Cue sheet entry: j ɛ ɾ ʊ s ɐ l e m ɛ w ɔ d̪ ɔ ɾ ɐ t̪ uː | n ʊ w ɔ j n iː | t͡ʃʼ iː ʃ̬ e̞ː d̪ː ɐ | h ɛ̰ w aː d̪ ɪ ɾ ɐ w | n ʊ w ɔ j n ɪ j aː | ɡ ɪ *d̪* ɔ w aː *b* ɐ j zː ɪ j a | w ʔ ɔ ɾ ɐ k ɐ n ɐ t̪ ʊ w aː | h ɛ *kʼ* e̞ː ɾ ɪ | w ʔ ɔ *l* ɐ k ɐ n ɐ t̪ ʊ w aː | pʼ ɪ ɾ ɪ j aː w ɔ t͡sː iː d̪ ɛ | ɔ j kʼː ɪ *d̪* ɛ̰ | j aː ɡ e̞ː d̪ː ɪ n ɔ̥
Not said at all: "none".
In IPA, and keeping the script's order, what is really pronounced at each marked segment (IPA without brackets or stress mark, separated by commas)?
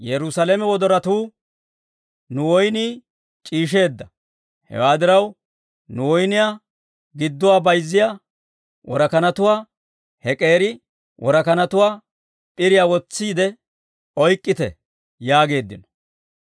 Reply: d̪ː, b, kʼ, ɾ, t̪